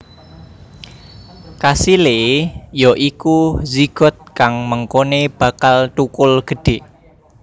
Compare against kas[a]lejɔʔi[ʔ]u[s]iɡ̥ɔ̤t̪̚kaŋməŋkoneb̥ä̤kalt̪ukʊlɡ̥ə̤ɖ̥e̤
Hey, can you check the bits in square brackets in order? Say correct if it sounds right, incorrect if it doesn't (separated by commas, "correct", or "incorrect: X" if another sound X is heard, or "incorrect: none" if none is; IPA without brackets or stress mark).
incorrect: i, incorrect: k, incorrect: z